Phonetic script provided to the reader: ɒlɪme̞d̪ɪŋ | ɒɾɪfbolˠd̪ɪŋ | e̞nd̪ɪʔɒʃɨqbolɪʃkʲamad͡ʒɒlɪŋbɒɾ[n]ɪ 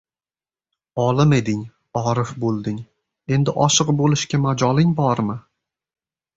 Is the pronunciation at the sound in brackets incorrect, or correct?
incorrect